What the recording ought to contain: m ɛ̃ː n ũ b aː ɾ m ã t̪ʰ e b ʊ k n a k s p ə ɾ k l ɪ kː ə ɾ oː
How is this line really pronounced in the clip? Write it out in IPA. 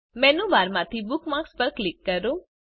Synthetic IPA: m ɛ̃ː n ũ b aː ɾ m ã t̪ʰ i b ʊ k m a k s p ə ɾ k l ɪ kː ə ɾ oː